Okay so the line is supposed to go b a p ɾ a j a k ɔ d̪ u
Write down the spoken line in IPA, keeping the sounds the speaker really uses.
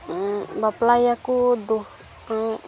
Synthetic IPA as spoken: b a p l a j a k u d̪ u